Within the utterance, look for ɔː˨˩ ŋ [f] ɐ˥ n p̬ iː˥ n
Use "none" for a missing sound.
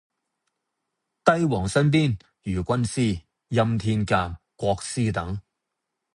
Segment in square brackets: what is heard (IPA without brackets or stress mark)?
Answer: s